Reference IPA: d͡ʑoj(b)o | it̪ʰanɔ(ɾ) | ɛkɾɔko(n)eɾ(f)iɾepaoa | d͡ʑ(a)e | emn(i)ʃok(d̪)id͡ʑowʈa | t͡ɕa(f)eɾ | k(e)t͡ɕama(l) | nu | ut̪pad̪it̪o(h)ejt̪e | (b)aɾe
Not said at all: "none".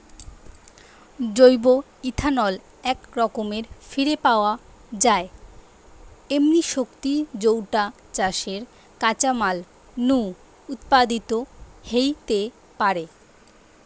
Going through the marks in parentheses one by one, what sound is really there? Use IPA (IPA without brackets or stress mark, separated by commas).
b, l, m, f, a, i, t̪, ʃ, a, l, h, p